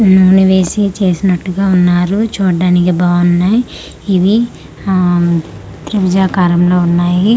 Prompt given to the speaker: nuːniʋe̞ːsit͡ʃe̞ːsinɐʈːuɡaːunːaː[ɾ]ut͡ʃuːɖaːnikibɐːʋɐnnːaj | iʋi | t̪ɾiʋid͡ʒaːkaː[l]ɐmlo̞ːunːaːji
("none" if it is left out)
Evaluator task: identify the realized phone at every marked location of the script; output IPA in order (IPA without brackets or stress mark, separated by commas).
ɾ, ɾ